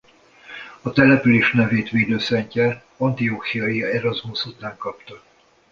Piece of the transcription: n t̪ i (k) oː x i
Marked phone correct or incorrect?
incorrect